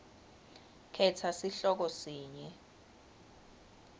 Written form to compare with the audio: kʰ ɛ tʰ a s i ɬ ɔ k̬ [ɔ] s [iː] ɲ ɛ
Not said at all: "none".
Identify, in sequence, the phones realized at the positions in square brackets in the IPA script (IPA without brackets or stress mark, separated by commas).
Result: ɔ, iː